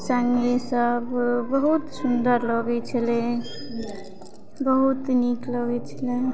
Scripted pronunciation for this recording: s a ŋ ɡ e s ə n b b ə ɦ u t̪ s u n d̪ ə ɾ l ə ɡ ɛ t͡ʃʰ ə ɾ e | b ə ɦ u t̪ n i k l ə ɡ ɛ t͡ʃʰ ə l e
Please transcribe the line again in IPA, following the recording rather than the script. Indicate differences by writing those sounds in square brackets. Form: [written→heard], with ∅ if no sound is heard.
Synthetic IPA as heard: s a ŋ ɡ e s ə [n→∅] b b ə ɦ u t̪ s u n d̪ ə ɾ l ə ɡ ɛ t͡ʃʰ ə [ɾ→l] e | b ə ɦ u t̪ n i k l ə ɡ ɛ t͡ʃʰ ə l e